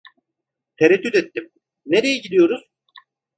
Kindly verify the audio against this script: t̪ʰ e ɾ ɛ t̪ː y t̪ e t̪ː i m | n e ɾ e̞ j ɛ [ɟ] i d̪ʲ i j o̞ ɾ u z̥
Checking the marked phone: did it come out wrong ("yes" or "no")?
no